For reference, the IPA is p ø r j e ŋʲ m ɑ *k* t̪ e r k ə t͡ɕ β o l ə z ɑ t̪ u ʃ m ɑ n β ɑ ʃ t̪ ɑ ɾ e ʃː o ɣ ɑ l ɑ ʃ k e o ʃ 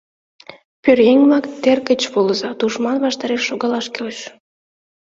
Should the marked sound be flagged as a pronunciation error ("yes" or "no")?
no